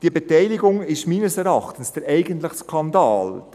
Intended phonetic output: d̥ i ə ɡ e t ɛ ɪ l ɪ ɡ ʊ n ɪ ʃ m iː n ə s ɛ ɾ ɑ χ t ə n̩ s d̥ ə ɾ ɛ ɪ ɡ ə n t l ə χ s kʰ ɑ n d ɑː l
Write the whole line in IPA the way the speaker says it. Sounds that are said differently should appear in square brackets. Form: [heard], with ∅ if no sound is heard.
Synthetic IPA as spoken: d̥ i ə [b] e t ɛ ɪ l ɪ ɡ ʊ [ŋ] ɪ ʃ m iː n ə s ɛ ɾ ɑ χ t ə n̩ s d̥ ə ɾ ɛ ɪ ɡ ə n t l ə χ s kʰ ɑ n d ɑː l